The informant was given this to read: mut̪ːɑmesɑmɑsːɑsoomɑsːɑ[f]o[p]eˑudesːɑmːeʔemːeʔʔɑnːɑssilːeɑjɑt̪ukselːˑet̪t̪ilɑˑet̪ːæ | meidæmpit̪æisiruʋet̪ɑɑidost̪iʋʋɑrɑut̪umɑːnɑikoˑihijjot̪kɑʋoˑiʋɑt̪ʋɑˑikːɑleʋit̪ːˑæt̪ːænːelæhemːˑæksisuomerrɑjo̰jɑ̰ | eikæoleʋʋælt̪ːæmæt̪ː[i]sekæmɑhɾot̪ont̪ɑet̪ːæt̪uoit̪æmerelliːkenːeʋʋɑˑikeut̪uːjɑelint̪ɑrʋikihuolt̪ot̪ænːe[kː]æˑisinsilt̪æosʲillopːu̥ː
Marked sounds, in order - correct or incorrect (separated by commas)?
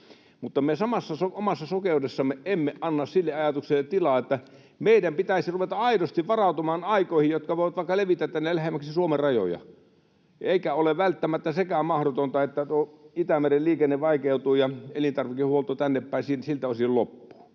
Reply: incorrect, incorrect, incorrect, incorrect